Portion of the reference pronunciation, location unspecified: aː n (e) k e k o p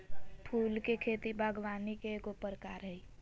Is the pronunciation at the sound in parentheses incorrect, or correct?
incorrect